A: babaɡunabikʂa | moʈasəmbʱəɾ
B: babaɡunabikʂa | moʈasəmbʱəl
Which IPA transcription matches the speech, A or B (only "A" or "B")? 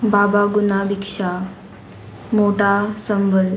B